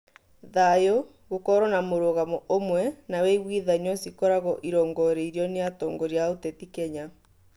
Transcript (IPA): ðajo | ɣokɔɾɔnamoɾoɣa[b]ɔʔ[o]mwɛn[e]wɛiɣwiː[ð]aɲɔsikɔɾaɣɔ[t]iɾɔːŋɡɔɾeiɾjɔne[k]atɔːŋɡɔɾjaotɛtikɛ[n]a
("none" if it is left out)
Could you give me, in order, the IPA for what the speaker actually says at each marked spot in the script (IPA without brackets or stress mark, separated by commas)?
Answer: m, o, a, ð, ʔ, none, ɲ